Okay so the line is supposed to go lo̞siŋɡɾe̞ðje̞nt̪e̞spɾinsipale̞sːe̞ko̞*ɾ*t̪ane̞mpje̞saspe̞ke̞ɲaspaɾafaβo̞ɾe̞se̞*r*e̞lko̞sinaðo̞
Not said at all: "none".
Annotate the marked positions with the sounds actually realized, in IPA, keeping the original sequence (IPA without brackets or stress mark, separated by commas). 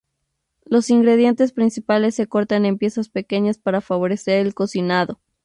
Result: ɾ, ɾ